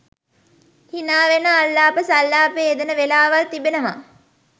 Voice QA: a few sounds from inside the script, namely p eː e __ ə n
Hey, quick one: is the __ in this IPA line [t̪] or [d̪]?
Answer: d̪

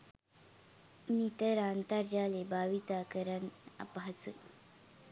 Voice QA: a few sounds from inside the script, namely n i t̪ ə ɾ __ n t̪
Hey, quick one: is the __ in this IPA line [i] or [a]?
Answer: a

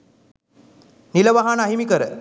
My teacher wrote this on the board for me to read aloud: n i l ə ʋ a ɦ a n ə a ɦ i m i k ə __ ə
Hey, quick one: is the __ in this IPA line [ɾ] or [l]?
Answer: ɾ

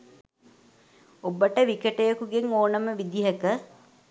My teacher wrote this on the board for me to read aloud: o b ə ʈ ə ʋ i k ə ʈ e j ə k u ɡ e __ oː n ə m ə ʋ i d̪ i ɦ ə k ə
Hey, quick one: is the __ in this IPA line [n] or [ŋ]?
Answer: ŋ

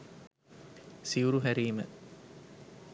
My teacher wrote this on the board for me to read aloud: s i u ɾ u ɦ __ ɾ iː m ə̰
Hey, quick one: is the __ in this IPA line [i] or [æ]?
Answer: æ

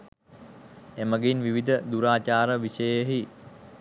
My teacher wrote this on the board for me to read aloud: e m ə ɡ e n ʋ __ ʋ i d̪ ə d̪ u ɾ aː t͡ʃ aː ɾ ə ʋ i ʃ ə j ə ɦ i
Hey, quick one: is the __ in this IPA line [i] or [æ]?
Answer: i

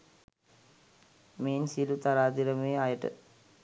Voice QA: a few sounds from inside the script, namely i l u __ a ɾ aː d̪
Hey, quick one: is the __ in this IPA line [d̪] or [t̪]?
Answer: t̪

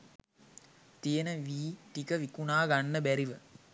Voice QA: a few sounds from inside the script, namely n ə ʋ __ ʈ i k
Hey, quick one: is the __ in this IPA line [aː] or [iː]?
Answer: iː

